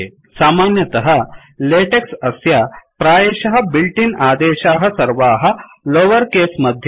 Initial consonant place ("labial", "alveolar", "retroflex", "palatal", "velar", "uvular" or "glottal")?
alveolar